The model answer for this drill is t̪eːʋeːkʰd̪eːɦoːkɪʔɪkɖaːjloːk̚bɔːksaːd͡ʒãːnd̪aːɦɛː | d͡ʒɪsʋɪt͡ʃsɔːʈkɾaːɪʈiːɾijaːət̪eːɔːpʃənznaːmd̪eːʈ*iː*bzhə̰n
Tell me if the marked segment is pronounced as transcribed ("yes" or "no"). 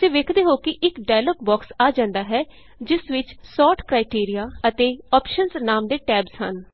no